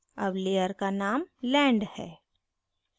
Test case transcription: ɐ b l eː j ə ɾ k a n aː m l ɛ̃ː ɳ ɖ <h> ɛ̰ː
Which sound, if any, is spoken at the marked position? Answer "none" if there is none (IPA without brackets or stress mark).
h